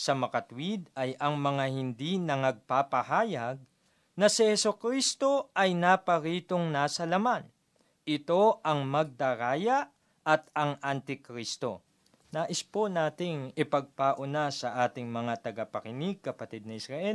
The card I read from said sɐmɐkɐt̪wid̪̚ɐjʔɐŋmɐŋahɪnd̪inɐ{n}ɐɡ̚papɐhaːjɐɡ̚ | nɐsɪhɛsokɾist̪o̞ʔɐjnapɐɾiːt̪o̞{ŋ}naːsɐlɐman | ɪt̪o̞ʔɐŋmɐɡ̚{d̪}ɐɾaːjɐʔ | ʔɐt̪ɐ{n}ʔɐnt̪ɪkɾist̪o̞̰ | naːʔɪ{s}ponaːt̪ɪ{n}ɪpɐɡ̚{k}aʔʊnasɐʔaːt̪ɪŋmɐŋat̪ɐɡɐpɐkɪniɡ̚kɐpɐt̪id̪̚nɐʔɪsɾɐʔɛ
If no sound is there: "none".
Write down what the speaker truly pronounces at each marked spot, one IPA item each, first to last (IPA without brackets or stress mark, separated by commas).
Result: ŋ, ŋ, d̪, ŋ, s, ŋ, p